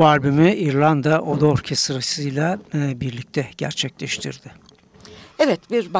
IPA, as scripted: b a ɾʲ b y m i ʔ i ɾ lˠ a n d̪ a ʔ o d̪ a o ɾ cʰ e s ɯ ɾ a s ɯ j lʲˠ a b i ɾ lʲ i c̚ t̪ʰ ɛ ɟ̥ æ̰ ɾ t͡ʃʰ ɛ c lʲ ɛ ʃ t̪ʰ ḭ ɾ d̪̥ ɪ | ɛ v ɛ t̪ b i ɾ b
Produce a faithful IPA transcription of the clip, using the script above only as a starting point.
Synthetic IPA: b a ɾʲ b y m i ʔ i ɾ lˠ a n d̪ a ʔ o d̪ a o ɾ cʰ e s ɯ ɾ a s ɯ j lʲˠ a b i ɾ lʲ i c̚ t̪ʰ ɛ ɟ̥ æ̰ ɾ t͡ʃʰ ɛ c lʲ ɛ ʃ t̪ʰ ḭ ɾ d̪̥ ɪ | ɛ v ɛ t̪ b i ɾ b